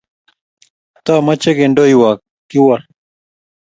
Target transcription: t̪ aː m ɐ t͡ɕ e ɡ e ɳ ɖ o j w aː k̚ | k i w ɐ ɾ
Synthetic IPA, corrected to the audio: t̪ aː m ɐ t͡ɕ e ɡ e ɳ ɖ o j w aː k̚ | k i w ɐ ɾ